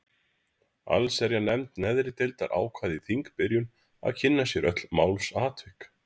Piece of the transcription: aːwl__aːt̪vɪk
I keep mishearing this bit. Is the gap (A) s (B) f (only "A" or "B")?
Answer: A